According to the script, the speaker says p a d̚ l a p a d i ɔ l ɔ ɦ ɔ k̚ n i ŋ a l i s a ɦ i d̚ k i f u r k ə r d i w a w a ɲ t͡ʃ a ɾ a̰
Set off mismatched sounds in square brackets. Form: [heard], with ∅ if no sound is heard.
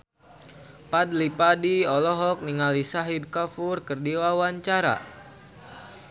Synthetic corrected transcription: p a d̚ l [i] p a d i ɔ l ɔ ɦ ɔ k̚ n i ŋ a l i s a ɦ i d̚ k [a] f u r k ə r d i w a w a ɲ t͡ʃ a ɾ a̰